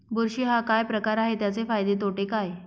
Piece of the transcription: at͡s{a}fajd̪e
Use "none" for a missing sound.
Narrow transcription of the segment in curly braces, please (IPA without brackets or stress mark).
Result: e